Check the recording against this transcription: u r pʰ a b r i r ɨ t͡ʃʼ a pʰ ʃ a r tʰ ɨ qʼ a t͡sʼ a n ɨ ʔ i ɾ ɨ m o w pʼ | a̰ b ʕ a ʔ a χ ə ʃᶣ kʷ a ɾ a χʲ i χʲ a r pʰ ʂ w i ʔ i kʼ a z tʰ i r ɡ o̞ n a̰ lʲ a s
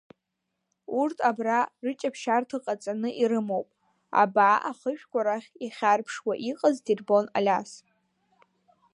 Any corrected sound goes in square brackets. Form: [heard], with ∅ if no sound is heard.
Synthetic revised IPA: u r [tʰ] a b r [a] r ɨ t͡ʃʼ a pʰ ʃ a r tʰ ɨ qʼ a t͡sʼ a n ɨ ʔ i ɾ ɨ m o w pʼ | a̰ b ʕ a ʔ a χ ə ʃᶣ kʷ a ɾ a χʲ i χʲ a r pʰ ʂ w [a] ʔ i [qʼ] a z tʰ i r [b] o̞ n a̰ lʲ a s